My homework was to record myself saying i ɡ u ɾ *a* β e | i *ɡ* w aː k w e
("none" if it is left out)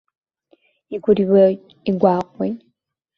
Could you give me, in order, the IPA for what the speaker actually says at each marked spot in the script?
i, ɡ

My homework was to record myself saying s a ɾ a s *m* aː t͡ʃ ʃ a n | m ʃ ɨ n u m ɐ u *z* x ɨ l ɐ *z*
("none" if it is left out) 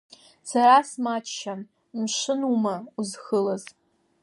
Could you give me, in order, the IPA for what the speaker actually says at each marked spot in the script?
m, z, z

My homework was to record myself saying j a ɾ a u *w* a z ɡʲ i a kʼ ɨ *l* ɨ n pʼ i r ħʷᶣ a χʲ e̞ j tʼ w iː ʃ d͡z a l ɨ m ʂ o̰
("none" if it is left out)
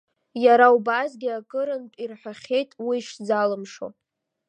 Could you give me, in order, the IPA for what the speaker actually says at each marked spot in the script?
b, ɾ

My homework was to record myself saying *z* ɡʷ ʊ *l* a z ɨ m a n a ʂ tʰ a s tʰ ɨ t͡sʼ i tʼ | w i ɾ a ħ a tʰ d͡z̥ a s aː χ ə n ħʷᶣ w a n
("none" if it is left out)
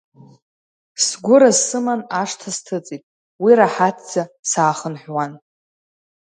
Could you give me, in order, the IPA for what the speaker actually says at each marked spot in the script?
s, ɾ

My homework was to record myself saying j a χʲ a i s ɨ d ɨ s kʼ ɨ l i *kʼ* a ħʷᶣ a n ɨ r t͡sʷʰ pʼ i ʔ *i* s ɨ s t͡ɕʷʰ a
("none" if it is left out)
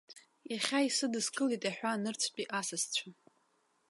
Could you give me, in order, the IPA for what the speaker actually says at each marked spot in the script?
tʼ, a

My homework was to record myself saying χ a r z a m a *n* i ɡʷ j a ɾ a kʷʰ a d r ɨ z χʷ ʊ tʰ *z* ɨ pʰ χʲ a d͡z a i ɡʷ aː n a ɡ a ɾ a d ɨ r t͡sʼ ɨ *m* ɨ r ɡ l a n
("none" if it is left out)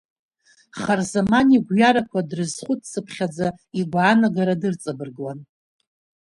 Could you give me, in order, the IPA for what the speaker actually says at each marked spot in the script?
n, s, b

